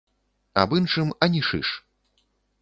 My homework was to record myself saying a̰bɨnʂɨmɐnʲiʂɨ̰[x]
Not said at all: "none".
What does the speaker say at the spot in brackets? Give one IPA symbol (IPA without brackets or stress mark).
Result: ʂ